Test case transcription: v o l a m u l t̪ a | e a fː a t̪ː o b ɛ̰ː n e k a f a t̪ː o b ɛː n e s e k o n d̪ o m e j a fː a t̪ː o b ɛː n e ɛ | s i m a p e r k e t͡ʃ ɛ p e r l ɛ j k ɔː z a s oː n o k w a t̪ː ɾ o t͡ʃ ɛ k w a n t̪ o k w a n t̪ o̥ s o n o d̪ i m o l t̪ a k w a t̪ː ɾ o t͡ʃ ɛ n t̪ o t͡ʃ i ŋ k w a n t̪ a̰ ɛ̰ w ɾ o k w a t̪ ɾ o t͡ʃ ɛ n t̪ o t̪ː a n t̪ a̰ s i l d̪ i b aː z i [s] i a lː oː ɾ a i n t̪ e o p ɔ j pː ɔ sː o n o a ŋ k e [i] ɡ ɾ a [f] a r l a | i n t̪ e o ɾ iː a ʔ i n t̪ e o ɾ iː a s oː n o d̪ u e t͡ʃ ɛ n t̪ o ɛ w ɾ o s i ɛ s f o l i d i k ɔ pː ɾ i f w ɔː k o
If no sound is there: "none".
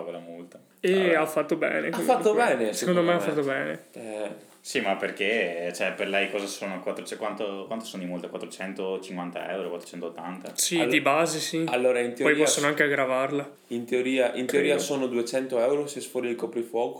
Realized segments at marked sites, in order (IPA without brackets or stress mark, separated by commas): s, a, v